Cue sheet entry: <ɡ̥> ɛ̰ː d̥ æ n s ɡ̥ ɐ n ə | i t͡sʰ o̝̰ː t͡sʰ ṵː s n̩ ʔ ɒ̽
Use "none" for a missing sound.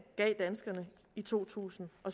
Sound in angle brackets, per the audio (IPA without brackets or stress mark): ɡ̥